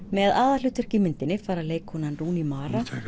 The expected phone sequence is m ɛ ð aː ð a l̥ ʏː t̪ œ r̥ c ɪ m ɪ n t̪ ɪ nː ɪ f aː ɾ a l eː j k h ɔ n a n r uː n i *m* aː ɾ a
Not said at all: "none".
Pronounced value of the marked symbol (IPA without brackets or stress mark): m